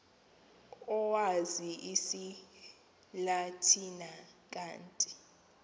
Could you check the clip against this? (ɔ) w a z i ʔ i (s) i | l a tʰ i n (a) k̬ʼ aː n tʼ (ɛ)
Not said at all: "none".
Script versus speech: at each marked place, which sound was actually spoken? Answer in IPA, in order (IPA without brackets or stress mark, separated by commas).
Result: ɔ, s, a, i